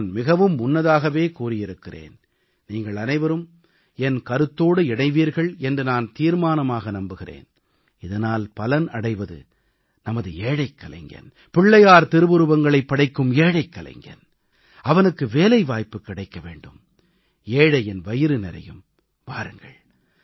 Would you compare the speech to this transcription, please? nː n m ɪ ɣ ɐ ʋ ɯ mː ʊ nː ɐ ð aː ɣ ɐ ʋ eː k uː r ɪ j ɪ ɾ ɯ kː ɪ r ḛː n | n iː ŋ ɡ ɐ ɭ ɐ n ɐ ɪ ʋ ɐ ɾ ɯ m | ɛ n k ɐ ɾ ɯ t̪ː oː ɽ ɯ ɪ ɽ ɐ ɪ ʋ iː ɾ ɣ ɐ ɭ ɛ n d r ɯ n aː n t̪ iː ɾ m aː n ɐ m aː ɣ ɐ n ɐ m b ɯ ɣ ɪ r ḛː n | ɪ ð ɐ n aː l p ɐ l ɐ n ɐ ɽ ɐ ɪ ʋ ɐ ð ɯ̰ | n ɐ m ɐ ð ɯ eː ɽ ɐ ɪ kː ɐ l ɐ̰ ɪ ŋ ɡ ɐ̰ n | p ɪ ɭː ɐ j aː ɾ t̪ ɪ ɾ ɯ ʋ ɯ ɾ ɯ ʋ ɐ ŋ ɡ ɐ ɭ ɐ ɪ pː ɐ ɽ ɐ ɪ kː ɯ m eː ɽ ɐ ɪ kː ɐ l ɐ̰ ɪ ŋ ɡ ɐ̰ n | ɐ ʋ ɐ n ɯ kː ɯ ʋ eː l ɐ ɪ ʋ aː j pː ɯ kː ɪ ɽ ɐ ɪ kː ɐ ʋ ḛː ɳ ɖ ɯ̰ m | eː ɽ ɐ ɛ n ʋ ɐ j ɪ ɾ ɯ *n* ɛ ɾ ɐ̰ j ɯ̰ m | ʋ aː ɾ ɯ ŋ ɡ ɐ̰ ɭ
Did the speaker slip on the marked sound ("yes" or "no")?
no